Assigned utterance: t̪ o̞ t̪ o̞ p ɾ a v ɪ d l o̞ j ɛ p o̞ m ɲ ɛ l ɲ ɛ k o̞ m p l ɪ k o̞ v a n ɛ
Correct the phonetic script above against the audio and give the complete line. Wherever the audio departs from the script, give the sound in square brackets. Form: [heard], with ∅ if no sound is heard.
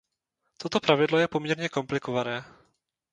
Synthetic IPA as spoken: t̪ o̞ t̪ o̞ p ɾ a v ɪ d l o̞ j ɛ p o̞ m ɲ ɛ [ɾ] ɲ ɛ k o̞ m p l ɪ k o̞ v a n [ɛː]